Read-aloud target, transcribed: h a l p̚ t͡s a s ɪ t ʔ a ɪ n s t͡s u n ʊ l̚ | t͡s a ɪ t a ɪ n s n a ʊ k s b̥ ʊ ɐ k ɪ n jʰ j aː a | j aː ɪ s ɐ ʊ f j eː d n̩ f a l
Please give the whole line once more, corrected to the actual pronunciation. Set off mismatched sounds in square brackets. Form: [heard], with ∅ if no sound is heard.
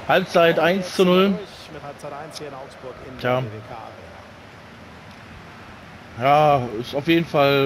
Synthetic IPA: h a l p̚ t͡s a [∅] ɪ t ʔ a ɪ n s t͡s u n ʊ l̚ | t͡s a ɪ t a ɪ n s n a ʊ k s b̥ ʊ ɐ k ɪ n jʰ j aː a | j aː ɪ s [a] ʊ f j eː d n̩ f a l